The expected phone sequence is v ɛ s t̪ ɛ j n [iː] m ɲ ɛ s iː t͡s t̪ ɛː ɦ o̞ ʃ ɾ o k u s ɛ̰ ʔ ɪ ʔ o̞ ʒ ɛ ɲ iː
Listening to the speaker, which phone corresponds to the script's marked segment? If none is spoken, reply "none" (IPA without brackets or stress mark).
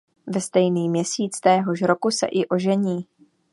iː